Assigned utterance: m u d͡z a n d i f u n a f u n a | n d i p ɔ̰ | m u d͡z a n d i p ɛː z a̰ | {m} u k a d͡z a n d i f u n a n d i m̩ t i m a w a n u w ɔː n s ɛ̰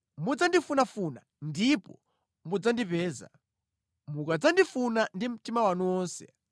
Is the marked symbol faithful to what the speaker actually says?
yes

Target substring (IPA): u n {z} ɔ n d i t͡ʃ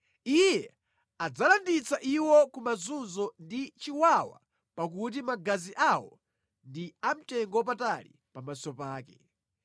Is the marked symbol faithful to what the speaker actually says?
yes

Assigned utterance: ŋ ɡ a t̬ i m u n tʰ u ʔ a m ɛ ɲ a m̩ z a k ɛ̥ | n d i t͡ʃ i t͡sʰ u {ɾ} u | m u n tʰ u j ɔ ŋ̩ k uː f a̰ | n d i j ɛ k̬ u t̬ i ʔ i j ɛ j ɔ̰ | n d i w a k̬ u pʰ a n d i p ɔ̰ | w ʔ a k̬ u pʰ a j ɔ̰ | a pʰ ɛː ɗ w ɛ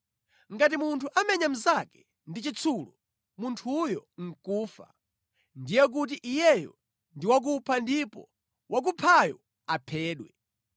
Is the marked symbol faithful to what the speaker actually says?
no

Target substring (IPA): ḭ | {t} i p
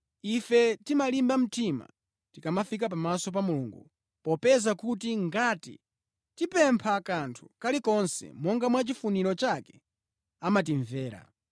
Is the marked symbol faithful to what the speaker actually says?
yes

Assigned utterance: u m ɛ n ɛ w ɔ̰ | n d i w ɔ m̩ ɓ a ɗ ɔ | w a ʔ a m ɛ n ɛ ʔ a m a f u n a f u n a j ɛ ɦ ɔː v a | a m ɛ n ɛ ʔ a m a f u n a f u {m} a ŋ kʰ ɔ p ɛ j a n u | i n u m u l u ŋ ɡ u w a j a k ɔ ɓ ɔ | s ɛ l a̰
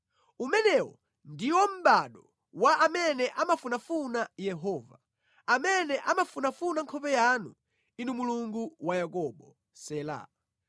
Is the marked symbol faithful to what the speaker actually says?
no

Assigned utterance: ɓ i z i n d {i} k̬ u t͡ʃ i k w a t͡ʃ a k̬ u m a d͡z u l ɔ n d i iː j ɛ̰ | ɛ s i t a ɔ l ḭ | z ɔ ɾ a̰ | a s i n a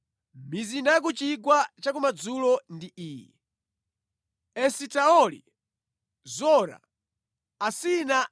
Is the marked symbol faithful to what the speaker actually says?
no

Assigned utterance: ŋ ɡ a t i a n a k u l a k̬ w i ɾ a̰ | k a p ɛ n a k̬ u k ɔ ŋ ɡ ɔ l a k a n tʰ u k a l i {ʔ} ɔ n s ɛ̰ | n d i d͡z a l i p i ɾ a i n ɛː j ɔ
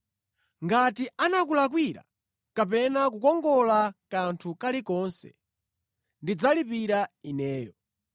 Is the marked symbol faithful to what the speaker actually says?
no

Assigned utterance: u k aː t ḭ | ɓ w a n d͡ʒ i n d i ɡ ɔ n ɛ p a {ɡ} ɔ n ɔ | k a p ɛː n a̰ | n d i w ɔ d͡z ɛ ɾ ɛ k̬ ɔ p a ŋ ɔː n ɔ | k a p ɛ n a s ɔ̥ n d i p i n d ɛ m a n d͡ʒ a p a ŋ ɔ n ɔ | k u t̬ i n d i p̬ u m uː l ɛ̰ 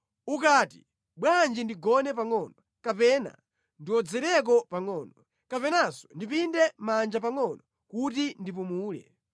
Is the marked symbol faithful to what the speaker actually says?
no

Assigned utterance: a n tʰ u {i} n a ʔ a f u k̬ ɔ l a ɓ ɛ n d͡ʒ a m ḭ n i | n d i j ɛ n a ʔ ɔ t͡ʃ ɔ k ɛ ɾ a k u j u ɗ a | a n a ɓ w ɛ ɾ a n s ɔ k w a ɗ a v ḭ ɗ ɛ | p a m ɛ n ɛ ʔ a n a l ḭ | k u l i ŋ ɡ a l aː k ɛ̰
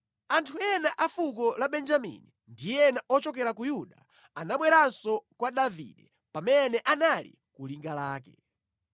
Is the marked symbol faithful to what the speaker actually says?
no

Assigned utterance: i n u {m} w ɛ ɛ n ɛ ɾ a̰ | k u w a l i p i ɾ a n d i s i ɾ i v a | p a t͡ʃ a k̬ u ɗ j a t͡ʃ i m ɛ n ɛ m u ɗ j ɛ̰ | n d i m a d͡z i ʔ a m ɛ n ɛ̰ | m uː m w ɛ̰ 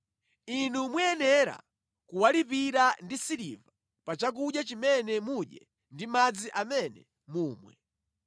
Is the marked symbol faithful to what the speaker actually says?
yes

